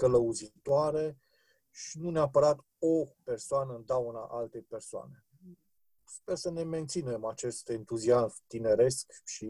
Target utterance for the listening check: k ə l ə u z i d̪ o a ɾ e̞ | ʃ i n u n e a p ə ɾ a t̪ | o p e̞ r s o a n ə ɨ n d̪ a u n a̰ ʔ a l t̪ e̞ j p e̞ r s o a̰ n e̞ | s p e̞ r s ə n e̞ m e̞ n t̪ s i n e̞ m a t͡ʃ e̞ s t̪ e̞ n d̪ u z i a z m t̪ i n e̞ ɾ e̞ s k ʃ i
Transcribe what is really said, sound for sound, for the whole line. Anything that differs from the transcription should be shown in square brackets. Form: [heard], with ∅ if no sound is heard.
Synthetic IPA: k ə l ə u z i [t̪] o a ɾ e̞ | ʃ i n u n e a p ə ɾ a t̪ | o p e̞ r s o a n ə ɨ n d̪ a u n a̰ ʔ a l t̪ e̞ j p e̞ r s o a̰ n e̞ | s p e̞ r s ə n e̞ m e̞ n t̪ s i n e̞ m a t͡ʃ e̞ s t̪ e̞ n [t̪] u z i a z m t̪ i n e̞ ɾ e̞ s k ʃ i